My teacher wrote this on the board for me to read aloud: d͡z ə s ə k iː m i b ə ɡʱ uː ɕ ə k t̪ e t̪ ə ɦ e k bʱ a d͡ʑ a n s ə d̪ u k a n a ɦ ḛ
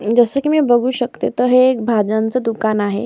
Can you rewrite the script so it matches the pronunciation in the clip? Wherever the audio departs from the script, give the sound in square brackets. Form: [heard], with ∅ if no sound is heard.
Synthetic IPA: d͡z ə s ə k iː m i b ə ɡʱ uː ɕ ə k t̪ e t̪ ə ɦ e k bʱ a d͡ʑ a n [t͡s] ə d̪ u k a n a ɦ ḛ